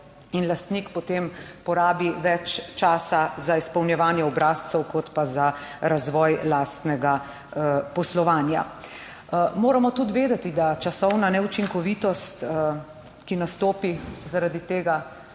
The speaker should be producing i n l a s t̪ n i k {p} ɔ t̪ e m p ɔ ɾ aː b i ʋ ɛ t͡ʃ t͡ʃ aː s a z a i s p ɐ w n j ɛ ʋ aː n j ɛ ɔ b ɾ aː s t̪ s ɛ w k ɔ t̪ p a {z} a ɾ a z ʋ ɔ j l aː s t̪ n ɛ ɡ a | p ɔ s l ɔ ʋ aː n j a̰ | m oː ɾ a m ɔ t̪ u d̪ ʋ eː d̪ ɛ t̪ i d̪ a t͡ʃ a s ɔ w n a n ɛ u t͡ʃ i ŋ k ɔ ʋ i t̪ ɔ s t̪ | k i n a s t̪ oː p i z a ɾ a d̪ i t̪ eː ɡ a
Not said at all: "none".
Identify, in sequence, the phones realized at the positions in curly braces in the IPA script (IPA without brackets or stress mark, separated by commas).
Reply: p, z